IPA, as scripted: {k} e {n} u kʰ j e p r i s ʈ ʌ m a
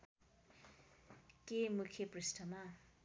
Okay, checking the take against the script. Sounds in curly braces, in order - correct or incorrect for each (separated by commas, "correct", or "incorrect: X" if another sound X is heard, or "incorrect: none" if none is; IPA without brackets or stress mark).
correct, incorrect: m